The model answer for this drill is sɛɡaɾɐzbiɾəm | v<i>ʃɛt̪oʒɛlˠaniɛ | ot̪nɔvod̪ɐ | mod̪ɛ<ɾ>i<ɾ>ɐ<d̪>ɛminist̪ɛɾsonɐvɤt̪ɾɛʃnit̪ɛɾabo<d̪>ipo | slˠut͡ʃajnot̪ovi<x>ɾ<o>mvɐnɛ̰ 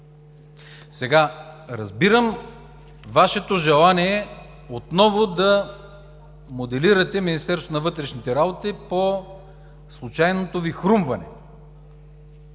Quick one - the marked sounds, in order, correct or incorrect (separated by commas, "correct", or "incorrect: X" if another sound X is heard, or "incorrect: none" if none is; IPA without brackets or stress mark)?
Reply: incorrect: a, incorrect: l, correct, incorrect: t̪, incorrect: t̪, correct, incorrect: u